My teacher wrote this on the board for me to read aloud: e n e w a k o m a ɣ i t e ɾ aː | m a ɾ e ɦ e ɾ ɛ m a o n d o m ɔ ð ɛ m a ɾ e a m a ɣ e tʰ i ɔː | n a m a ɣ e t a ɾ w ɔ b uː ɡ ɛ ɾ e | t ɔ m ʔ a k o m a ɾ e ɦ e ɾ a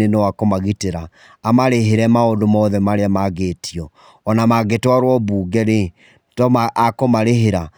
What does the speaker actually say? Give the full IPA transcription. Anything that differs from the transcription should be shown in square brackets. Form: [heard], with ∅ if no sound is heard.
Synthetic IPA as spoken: e n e w a k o m a ɣ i t e ɾ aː | m a ɾ e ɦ e ɾ ɛ m a o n d o m ɔ ð ɛ m a ɾ e a m a ɣ e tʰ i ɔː | n a m a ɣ e t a ɾ w ɔ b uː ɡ ɛ ɾ e | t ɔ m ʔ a k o m a ɾ e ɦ e ɾ a